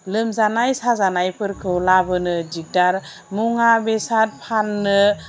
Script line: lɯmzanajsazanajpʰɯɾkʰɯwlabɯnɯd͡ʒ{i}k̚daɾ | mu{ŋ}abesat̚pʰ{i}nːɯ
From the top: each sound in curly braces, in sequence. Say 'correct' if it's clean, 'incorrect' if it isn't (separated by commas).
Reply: correct, correct, incorrect